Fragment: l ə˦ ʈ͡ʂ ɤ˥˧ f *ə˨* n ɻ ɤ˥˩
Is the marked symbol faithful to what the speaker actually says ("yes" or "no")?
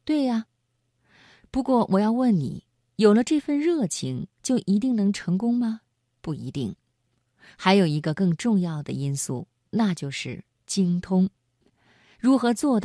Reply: no